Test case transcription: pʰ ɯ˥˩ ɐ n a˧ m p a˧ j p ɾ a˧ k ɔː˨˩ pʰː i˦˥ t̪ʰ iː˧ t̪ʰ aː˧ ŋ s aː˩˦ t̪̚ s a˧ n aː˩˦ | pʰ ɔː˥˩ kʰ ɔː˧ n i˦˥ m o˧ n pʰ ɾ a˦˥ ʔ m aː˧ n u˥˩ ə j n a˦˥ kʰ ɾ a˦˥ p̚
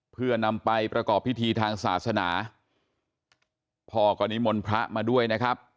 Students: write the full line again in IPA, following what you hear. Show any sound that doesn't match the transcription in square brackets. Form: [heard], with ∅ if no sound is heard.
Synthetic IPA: pʰ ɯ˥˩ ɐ n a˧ m p a˧ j p ɾ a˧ k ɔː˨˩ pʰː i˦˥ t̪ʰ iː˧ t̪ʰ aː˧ ŋ s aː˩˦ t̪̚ s a˧ n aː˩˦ | pʰ [ɔː˧] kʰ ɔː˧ n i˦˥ m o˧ n pʰ ɾ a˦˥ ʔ m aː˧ [d] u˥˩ ə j n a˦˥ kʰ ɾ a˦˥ p̚